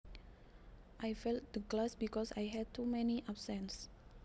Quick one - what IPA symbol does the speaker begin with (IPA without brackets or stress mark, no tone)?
ʔ